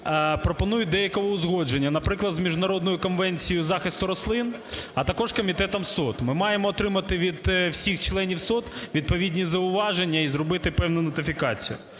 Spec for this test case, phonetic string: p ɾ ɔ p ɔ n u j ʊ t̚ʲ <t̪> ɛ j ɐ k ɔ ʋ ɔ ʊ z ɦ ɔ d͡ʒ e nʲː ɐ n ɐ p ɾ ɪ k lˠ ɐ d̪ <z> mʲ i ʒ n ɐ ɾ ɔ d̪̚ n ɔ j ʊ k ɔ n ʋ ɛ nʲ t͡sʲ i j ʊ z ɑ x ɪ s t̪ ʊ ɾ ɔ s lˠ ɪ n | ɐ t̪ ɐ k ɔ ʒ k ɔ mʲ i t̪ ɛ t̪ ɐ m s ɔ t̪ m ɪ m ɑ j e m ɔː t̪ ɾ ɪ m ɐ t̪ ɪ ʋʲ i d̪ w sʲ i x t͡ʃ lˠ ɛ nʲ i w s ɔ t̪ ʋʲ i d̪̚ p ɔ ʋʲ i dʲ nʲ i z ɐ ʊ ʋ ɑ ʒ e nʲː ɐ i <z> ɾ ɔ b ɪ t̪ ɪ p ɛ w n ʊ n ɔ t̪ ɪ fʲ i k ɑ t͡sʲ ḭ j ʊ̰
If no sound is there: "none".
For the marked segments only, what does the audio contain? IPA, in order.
d̪, z, z

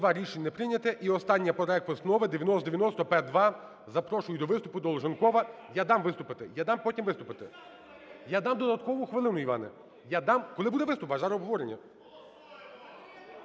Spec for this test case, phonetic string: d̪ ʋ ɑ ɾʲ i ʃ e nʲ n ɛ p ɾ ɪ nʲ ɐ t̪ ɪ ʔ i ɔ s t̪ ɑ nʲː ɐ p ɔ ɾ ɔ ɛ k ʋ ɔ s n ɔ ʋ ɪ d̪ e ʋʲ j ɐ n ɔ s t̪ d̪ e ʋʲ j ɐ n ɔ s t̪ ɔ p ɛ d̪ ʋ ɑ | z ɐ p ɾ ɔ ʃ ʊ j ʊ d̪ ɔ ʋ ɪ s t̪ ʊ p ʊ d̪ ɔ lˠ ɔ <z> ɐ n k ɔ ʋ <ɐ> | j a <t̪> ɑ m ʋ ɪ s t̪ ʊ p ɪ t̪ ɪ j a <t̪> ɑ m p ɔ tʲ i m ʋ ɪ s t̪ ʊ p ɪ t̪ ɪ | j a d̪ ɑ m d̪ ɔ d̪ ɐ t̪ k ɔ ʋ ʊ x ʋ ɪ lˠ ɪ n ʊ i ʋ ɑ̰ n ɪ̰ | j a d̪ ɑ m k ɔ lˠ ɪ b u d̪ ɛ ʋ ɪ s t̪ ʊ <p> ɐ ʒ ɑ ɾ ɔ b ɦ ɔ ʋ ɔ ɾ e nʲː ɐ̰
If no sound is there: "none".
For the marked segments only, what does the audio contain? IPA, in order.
ʒ, ɐ, d̪, d̪, p

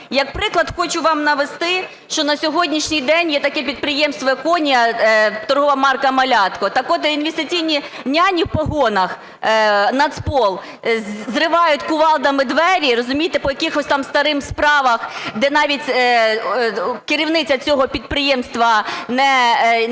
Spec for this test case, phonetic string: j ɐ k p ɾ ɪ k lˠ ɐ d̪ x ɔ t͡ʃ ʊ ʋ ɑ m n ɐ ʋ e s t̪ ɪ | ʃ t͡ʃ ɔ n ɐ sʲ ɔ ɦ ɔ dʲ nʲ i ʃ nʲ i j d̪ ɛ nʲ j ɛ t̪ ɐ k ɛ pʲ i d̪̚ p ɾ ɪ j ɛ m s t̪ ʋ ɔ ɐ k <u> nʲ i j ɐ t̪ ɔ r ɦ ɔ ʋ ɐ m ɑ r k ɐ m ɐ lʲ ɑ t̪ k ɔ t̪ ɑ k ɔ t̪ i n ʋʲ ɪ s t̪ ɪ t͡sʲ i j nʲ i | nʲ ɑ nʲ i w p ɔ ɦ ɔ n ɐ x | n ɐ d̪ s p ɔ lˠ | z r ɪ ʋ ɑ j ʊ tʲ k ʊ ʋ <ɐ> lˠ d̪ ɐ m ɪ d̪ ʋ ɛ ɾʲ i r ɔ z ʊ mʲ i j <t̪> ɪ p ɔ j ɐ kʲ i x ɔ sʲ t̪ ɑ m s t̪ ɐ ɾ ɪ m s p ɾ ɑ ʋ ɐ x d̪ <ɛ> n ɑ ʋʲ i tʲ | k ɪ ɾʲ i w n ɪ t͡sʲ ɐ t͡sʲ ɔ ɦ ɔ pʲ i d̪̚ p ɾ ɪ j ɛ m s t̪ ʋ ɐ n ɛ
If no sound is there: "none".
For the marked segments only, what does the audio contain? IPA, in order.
ɔ, ɑ, t̪, ɛ

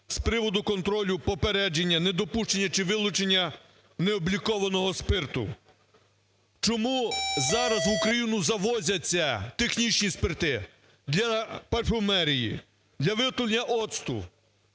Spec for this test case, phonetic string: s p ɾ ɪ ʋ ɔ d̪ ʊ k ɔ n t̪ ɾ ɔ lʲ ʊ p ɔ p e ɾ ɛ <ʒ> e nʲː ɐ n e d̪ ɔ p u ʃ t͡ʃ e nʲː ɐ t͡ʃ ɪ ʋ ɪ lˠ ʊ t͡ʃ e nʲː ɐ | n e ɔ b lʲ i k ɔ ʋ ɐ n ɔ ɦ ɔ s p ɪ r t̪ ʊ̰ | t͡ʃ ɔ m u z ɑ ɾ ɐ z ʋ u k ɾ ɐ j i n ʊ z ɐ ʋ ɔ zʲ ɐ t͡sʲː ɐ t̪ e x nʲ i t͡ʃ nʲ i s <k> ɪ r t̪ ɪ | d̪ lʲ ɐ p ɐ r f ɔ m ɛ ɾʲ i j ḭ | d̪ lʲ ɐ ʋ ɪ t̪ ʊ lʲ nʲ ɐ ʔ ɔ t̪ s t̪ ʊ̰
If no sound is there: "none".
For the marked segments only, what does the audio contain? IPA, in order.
d͡ʒ, p

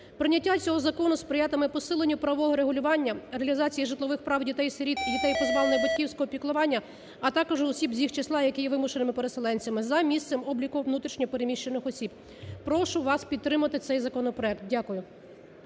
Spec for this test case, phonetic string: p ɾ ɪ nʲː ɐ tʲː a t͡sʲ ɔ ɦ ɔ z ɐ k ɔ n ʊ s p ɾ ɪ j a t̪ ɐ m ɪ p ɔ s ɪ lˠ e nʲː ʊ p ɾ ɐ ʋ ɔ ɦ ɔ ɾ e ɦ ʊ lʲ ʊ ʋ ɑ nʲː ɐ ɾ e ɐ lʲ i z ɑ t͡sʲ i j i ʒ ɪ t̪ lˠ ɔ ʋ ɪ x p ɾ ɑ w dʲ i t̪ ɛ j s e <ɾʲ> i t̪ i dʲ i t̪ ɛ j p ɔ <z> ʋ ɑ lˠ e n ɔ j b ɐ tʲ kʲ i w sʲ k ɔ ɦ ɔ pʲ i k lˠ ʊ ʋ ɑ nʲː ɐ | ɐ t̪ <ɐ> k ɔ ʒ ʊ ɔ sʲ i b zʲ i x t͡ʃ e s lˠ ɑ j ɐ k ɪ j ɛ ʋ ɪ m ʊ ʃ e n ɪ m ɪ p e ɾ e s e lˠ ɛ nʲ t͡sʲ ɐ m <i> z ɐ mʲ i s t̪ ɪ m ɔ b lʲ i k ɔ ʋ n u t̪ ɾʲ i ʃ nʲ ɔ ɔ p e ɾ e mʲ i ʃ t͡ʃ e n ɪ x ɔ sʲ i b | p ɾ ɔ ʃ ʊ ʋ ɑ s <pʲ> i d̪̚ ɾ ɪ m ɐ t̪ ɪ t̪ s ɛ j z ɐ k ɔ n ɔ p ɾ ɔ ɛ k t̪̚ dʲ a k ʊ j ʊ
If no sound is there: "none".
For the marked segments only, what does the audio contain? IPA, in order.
ɾʲ, z, ɑ, ɪ, pʲ

